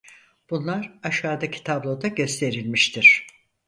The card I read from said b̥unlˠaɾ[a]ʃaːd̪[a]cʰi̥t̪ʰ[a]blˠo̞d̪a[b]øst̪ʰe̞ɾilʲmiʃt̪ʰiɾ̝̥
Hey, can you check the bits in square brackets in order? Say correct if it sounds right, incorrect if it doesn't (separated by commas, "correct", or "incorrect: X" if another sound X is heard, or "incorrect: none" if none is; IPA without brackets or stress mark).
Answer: correct, correct, correct, incorrect: ɟ